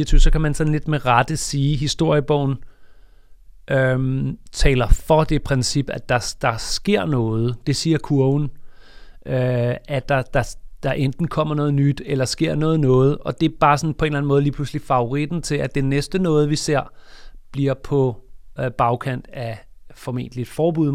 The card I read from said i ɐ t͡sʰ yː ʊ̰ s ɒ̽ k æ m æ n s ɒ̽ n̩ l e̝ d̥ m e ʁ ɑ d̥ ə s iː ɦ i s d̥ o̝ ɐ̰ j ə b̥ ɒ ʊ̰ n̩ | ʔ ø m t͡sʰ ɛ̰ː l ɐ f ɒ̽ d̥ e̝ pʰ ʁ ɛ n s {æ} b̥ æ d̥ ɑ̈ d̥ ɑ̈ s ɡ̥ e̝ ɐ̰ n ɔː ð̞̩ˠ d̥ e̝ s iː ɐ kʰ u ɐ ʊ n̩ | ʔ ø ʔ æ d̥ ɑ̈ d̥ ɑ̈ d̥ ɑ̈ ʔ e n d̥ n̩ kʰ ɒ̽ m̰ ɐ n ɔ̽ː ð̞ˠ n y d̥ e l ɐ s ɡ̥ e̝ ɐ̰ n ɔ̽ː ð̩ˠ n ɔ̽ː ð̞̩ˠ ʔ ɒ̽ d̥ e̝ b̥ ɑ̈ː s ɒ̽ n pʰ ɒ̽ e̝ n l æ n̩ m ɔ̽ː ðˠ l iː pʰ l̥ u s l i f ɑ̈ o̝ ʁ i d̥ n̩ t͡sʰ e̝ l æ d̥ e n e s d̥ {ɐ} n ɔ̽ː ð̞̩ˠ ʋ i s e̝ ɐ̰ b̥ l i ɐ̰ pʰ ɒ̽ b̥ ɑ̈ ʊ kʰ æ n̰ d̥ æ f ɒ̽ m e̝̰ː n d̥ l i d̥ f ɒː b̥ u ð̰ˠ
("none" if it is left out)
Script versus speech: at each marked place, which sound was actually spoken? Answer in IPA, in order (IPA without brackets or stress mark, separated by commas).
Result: i, ə